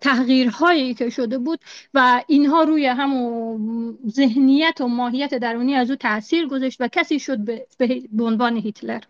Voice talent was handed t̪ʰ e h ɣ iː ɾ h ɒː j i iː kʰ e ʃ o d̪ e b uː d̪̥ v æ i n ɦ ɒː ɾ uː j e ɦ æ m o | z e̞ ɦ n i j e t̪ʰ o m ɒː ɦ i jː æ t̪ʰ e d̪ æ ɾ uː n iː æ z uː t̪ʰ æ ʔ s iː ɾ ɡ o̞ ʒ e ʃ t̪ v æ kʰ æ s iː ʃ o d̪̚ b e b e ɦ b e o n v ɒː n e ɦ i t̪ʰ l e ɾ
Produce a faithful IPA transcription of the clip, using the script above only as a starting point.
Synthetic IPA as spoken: t̪ʰ æ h ɣ iː ɾ h ɒː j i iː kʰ e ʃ o d̪ e b uː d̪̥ v æ i n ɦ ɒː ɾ uː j e ɦ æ m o | z e̞ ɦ n i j æ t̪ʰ o m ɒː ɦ i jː æ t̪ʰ e d̪ æ ɾ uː n iː æ z uː t̪ʰ æ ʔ s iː ɾ ɡ o̞ z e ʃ t̪ v æ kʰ æ s iː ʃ o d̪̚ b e b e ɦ b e o n v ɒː n e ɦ i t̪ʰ l e ɾ